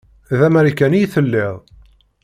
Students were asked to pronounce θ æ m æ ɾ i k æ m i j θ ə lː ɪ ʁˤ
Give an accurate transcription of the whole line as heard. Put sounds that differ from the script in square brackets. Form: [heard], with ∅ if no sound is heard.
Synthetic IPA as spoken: [ð] æ m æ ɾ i k æ [n] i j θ ə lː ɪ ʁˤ